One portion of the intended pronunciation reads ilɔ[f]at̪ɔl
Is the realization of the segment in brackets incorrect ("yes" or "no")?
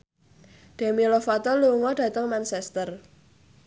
no